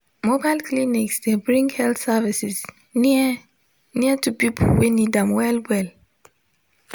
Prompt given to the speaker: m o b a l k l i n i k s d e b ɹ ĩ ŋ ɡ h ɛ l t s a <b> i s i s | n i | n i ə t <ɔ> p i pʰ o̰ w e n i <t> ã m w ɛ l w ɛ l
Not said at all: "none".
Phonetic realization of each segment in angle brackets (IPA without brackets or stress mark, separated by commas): v, u, d